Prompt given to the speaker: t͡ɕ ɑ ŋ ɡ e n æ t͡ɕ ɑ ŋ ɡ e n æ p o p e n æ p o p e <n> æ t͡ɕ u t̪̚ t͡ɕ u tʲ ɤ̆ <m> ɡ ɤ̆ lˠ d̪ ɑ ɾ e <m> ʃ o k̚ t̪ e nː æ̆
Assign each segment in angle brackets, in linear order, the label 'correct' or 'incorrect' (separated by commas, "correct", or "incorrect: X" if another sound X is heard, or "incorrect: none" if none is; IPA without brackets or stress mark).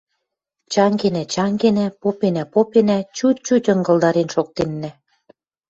correct, incorrect: ŋ, incorrect: n